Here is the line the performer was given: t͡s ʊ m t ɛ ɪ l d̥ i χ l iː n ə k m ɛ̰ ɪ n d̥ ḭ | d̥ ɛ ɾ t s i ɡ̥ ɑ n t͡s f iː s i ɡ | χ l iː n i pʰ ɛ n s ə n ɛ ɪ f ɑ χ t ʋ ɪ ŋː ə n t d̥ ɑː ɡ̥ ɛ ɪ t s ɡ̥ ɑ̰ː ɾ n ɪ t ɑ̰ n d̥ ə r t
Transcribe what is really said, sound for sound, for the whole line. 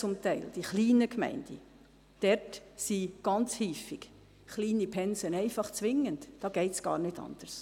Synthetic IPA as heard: t͡s ʊ m t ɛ ɪ l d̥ i χ l iː n ə k m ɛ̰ ɪ n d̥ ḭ | d̥ ɛ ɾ t s i ɡ̥ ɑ n t͡s h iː f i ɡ | χ l iː n i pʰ ɛ n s ə n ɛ ɪ f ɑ χ t͡s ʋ ɪ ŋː ə n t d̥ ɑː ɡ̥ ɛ ɪ t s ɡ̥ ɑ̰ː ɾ n ɪ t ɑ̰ n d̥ ə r s